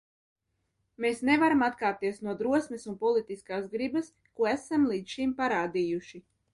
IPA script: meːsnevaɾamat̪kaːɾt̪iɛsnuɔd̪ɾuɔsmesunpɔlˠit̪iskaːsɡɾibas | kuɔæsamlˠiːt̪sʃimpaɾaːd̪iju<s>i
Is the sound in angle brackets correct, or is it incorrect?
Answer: incorrect